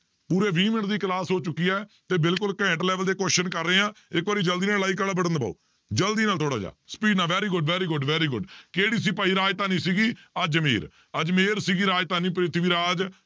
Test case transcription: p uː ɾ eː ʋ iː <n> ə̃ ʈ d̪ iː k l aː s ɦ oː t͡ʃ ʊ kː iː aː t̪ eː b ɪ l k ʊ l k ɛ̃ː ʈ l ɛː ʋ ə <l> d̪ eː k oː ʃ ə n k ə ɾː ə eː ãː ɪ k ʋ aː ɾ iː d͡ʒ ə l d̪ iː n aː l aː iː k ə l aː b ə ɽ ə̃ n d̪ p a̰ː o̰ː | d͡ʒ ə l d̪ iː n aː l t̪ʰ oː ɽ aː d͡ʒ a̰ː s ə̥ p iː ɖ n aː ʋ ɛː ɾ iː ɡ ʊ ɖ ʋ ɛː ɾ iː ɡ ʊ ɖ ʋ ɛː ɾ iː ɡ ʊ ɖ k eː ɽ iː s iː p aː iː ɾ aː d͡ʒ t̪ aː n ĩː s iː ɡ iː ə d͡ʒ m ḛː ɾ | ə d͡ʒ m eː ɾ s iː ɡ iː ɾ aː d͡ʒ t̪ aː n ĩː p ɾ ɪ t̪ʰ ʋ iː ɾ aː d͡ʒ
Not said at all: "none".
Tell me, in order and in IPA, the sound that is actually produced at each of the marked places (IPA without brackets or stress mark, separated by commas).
m, l